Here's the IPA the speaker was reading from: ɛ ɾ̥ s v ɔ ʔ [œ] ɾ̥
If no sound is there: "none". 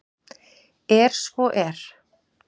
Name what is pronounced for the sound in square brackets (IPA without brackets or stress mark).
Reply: ɛ